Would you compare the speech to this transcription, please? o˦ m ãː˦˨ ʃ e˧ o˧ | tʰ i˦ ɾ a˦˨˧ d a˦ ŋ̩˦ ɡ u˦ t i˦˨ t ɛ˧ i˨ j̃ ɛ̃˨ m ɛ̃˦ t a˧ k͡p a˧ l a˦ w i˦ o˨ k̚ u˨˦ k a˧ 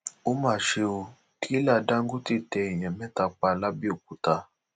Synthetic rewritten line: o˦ m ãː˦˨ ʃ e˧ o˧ | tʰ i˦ l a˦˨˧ d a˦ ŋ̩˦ ɡ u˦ t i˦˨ t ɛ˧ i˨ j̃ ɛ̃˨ m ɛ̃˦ t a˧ k͡p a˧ l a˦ b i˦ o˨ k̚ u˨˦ t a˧

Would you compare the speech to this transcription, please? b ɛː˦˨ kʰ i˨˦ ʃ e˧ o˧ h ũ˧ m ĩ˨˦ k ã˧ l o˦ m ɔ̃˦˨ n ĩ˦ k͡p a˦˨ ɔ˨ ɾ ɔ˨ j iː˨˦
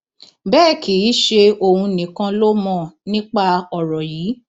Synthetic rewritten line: b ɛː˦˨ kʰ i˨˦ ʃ e˧ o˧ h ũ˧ n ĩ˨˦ k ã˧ l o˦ m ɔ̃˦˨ n ĩ˦ k͡p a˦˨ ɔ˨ ɾ ɔ˨ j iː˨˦

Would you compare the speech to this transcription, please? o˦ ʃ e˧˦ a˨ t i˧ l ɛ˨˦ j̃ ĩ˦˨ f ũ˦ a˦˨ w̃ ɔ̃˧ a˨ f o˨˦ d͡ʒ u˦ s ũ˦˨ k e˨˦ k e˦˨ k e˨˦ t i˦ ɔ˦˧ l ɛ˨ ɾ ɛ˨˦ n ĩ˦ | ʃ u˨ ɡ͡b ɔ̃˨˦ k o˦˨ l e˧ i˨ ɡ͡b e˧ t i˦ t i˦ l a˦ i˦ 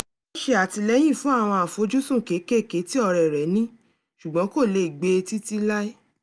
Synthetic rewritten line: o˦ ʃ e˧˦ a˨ t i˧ l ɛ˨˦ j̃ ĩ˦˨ f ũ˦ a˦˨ w̃ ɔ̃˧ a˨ f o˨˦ d͡ʒ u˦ s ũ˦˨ k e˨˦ k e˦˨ k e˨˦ t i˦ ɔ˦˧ ɾ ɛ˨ ɾ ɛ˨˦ n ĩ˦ | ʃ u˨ ɡ͡b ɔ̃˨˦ k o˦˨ l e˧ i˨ ɡ͡b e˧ t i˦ t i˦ l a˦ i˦

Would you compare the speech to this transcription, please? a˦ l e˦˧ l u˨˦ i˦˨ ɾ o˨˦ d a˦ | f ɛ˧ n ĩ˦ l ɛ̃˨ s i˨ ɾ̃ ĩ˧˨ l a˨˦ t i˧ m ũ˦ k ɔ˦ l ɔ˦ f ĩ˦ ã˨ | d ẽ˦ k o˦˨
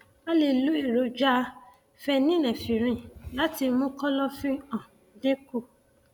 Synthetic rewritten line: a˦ l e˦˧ l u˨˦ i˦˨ ɾ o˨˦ d͡ʒ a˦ | f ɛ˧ n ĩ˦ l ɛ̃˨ f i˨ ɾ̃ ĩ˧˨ l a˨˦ t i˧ m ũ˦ k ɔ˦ l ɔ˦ f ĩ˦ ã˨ | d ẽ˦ k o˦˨

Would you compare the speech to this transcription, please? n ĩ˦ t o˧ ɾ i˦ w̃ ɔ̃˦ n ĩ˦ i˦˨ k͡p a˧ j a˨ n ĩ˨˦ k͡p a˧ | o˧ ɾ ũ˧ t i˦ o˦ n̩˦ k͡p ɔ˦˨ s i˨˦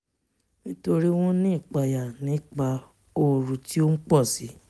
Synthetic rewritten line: n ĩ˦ t o˧ ɾ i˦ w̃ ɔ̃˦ n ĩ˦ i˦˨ k͡p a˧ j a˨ n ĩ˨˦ k͡p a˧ | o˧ ɾ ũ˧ t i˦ o˦ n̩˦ k͡p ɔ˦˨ s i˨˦

